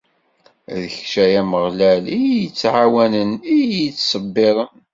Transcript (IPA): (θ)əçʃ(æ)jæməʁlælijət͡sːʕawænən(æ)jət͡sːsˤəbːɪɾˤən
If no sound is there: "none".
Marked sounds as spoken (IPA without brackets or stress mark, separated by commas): ð, æ, i